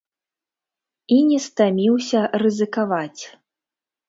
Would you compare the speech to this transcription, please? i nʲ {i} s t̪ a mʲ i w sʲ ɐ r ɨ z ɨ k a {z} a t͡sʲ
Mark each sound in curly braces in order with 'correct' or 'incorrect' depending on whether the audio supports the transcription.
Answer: incorrect: ɛ, incorrect: v

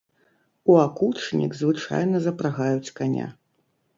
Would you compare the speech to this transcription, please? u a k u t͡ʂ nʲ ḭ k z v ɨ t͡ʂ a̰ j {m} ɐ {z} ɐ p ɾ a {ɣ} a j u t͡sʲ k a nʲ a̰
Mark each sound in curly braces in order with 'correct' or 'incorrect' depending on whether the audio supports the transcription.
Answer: incorrect: n, correct, correct

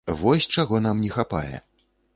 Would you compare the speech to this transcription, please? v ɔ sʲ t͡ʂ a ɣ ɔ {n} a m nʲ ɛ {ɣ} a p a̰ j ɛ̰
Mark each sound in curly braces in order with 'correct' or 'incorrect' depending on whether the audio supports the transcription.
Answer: correct, incorrect: x

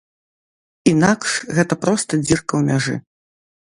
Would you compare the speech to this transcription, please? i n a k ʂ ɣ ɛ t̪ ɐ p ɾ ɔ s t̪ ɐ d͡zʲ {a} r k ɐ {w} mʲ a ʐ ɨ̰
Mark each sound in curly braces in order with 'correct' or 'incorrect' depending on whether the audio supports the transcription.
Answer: incorrect: i, correct

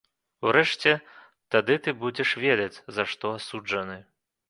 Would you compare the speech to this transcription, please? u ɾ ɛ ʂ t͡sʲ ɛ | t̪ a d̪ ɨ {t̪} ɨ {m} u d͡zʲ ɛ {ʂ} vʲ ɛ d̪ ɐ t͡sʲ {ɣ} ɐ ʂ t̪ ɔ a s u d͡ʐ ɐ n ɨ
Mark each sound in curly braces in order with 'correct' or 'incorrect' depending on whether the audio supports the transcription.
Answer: correct, incorrect: b, correct, incorrect: z

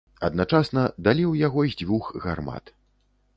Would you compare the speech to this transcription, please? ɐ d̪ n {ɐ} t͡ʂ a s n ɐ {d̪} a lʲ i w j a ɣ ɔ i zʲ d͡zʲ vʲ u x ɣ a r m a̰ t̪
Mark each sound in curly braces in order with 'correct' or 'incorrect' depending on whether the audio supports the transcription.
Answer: incorrect: a, correct

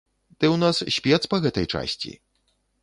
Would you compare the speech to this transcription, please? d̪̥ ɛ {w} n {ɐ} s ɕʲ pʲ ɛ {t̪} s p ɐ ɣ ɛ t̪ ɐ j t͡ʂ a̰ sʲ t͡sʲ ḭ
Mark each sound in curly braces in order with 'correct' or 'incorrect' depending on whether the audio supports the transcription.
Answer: correct, incorrect: a, correct

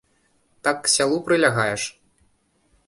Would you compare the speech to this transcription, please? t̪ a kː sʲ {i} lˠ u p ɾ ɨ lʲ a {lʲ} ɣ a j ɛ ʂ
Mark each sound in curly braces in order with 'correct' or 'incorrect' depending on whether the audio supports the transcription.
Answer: incorrect: a, incorrect: none

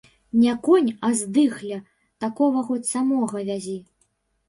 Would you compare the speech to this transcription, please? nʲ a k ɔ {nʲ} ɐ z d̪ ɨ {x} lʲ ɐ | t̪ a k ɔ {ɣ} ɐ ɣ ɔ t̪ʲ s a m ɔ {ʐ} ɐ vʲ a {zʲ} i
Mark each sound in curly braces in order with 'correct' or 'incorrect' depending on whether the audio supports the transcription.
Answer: correct, correct, incorrect: v, incorrect: ɣ, correct

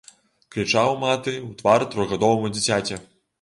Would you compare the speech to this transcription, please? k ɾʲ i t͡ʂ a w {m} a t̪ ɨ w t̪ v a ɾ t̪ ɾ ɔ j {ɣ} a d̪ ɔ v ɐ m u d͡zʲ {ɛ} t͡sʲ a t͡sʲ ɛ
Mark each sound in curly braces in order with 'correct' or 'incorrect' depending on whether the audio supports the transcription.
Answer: correct, correct, incorrect: i

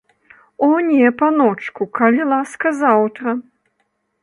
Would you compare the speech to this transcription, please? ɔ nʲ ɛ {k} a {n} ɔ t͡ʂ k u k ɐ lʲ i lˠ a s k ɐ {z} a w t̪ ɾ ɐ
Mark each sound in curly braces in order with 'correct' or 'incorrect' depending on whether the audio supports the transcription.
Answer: incorrect: p, correct, correct

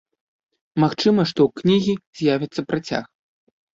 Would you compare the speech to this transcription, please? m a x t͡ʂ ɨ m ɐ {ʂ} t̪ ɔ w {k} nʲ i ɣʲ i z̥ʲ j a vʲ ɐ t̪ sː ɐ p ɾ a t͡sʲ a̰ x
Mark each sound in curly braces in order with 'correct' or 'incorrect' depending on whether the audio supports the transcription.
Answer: correct, correct

